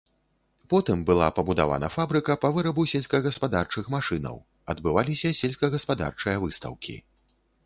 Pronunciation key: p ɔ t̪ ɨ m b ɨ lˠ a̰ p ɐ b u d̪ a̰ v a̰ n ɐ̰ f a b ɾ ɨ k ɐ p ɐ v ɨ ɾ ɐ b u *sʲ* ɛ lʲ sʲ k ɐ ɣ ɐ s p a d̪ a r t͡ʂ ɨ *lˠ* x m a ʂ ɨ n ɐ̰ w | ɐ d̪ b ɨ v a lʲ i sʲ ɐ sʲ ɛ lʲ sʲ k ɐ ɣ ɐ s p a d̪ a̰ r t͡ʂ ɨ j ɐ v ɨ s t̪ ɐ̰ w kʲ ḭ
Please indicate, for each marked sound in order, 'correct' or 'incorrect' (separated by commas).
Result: correct, incorrect